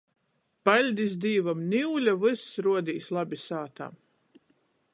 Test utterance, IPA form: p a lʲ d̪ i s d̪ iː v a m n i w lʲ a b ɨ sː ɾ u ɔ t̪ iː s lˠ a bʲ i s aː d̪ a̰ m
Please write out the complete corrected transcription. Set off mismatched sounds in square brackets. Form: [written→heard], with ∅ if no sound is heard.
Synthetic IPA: p a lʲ d̪ i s d̪ iː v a m n i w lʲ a [b→v] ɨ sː ɾ u ɔ [t̪→d̪] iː s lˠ a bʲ i s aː [d̪→t̪] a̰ m